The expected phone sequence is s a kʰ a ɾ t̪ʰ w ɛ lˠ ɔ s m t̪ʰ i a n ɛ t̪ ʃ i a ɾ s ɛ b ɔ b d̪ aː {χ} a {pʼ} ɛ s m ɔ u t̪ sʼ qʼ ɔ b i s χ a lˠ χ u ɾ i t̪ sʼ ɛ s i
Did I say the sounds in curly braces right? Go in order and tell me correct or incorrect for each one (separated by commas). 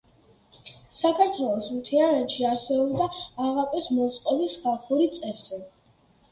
incorrect, correct